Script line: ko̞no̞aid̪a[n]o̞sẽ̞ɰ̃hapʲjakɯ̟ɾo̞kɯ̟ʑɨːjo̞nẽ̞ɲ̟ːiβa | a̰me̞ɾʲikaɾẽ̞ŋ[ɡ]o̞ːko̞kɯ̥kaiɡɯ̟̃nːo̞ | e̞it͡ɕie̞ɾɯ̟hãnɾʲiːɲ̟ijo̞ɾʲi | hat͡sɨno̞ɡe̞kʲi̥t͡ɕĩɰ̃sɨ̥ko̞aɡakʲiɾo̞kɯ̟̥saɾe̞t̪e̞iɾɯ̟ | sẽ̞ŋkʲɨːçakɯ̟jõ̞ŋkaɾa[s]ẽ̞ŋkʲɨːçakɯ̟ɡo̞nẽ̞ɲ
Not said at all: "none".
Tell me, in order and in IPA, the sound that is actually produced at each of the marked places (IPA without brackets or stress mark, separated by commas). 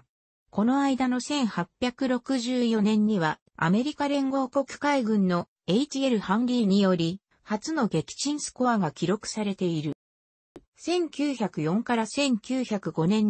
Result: n, ɡ, s